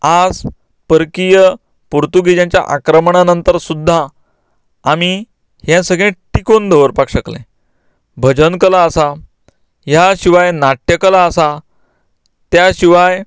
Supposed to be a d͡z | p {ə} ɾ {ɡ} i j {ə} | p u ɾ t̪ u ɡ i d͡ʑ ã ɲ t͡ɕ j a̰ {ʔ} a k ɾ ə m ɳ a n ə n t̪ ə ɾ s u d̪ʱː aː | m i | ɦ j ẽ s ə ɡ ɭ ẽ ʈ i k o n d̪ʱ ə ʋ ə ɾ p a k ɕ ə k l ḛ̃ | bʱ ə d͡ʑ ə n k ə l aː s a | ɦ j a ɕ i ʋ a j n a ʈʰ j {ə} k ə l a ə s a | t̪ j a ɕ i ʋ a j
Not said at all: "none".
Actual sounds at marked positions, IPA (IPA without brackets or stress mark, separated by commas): ə, k, ə, ʔ, ə